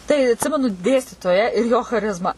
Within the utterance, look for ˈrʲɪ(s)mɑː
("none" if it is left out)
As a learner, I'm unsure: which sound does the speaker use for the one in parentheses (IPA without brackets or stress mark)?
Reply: z